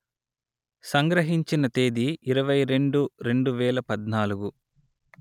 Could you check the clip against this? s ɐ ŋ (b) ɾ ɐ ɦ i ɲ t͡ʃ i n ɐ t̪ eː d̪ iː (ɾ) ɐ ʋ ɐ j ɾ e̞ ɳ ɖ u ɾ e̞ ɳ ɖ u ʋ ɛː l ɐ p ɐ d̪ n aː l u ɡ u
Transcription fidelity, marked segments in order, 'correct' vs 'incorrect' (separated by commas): incorrect, correct